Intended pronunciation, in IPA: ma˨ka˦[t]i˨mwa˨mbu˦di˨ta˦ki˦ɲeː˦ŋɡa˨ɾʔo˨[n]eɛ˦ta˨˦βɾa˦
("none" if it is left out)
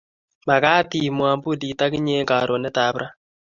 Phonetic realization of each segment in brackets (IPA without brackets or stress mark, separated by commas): t, n